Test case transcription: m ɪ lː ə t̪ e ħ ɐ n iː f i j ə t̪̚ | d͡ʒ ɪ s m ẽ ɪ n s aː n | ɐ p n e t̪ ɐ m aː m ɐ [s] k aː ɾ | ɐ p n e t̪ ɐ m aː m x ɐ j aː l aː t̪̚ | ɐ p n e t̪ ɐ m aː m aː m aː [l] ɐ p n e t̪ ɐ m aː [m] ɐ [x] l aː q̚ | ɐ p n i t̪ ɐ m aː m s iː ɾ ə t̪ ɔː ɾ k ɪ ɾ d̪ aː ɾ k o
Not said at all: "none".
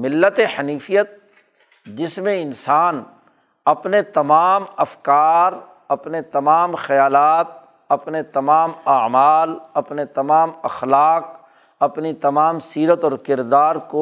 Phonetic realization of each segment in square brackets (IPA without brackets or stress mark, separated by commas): f, l, m, x